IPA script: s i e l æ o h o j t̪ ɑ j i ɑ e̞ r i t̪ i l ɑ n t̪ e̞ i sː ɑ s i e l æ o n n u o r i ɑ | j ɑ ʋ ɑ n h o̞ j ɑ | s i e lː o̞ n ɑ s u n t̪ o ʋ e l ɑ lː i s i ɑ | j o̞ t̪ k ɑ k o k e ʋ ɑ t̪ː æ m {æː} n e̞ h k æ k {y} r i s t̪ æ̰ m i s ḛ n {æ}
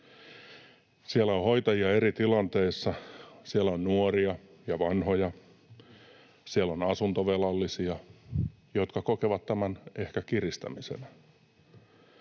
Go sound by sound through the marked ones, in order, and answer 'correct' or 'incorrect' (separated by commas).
incorrect, incorrect, correct